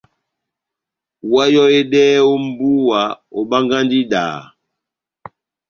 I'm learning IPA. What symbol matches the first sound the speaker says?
w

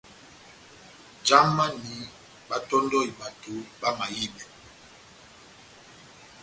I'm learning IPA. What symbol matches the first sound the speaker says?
d͡ʒ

